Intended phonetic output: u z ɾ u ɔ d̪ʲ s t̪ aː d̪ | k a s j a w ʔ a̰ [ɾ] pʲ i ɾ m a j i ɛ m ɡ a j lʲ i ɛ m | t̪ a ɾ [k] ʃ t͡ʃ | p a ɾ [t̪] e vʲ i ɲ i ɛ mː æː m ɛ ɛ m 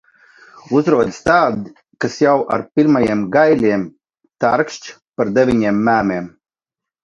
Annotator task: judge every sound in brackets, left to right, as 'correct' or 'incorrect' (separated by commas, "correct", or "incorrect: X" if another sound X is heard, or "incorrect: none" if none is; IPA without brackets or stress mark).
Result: correct, correct, incorrect: d̪